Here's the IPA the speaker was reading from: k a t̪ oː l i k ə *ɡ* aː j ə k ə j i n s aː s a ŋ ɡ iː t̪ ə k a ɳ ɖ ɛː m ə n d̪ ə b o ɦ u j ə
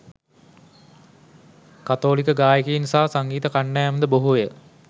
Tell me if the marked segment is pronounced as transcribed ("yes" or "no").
yes